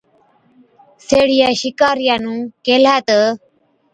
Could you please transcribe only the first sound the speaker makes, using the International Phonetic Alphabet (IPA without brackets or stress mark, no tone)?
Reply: s